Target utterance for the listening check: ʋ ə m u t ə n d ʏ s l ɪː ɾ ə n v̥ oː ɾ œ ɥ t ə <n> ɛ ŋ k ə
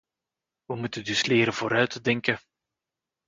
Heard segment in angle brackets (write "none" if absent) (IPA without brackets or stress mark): d